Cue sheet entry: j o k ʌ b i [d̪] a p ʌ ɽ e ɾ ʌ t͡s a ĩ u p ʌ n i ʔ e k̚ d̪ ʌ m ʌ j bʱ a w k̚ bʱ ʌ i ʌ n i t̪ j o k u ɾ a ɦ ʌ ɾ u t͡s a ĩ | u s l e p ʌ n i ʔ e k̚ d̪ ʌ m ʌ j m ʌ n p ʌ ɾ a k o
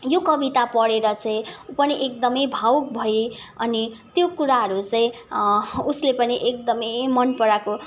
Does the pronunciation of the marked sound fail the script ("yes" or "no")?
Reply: yes